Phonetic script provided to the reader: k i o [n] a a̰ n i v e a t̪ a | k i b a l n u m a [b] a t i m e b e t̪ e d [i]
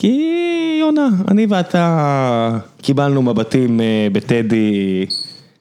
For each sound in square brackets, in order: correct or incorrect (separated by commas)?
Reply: correct, correct, correct